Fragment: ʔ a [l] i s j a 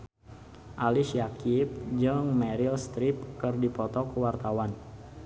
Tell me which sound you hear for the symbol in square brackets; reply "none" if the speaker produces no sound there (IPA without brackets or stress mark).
l